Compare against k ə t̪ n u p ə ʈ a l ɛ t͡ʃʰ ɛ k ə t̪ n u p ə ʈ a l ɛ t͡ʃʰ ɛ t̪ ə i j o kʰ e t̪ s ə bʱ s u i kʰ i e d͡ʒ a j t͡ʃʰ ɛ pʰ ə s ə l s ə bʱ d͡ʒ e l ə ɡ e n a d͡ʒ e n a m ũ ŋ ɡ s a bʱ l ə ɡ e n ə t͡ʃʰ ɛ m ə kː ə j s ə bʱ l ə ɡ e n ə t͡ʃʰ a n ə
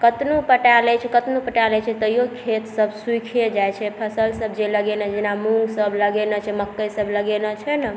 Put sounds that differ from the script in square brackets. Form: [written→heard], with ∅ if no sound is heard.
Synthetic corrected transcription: k ə t̪ n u p ə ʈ a l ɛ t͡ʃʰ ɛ k ə t̪ n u p ə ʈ a l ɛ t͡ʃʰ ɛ t̪ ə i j o kʰ e t̪ s ə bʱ s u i kʰ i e d͡ʒ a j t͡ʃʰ ɛ pʰ ə s ə l s ə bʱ d͡ʒ e l ə ɡ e n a d͡ʒ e n a m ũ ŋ ɡ s [a→ə] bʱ l ə ɡ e n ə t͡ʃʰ ɛ m ə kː ə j s ə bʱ l ə ɡ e n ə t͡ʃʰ [a→ɛ] n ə